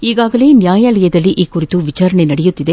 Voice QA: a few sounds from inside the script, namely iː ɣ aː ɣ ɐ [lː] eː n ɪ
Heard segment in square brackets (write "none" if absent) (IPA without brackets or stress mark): l